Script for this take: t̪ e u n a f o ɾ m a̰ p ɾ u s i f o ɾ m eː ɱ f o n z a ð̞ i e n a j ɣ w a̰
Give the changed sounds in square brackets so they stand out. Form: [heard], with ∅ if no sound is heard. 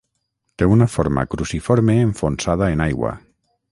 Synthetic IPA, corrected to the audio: t̪ e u n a f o ɾ m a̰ [k] ɾ u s i f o ɾ m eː ɱ f o n [s] a ð̞ [a] e n a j ɣ w a̰